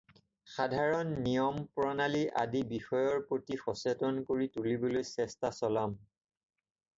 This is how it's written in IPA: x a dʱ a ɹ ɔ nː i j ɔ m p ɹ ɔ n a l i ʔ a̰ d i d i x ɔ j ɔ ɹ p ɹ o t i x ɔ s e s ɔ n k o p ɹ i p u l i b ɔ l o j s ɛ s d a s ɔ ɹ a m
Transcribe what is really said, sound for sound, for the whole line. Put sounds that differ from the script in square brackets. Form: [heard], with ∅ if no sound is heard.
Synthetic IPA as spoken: x a dʱ a ɹ ɔ nː i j ɔ m p ɹ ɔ n a l i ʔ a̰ d i [b] i x ɔ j ɔ ɹ p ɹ o t i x ɔ s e [t] ɔ n k o [∅] ɹ i [t] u l i b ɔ l o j s ɛ s [t] a s ɔ [l] a m